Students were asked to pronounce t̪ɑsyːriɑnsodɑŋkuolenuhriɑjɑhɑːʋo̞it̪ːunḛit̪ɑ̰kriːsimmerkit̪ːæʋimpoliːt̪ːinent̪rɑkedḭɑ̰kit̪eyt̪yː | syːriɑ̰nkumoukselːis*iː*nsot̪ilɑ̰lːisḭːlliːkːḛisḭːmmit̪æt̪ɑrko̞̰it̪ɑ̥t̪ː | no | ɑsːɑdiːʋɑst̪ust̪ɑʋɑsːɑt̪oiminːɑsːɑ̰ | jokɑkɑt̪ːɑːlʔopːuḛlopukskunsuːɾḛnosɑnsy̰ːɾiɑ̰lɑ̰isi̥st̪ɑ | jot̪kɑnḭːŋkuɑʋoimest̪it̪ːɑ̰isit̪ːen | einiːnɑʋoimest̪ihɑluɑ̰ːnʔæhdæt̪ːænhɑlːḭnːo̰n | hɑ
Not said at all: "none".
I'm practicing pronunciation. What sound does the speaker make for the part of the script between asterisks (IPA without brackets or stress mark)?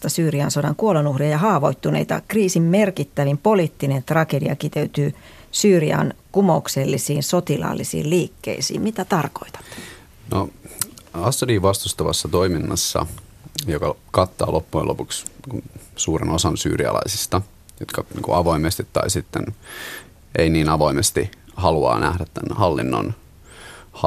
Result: iː